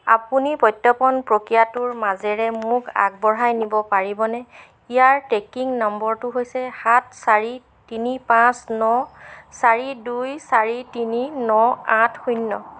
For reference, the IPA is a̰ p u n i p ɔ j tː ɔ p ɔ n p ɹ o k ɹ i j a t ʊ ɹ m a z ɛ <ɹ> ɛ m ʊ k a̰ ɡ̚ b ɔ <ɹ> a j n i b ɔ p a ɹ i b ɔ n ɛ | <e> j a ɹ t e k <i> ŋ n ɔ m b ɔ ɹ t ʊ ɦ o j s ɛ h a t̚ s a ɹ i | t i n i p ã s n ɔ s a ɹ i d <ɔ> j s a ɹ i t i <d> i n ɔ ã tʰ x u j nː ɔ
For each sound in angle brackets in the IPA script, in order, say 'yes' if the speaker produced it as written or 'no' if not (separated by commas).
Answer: yes, yes, no, yes, no, no